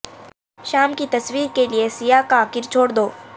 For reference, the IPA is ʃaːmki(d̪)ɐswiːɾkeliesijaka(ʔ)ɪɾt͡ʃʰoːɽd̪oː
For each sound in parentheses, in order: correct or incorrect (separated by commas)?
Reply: incorrect, incorrect